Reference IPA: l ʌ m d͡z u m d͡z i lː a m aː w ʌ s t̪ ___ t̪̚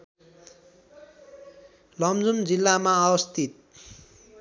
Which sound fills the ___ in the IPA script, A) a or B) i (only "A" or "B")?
B